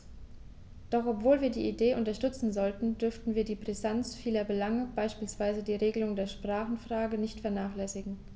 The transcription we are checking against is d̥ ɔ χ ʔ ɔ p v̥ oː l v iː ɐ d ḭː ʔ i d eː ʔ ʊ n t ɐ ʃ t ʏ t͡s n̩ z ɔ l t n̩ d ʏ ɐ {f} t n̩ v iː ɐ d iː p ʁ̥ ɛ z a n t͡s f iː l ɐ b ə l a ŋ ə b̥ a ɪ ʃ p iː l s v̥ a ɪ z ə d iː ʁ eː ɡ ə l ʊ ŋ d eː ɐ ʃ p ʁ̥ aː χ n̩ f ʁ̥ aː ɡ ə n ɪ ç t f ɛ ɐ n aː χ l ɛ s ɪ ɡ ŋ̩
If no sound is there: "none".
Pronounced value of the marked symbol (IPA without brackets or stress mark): f